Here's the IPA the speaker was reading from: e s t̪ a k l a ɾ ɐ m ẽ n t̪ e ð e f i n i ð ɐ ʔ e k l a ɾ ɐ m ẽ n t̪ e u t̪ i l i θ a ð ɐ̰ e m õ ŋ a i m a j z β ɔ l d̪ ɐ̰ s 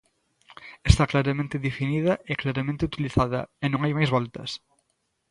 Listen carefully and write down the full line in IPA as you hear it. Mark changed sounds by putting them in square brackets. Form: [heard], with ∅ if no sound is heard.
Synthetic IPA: e s t̪ a k l a ɾ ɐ m ẽ n t̪ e ð e f i n i ð ɐ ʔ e k l a ɾ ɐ m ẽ n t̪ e u t̪ i l i θ a ð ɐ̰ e [n] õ ŋ a [j] m a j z β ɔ l [t̪] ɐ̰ s